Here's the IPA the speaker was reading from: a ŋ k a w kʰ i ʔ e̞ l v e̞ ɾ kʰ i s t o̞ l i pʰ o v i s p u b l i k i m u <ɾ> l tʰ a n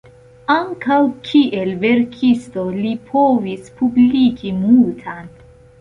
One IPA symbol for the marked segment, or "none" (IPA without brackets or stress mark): none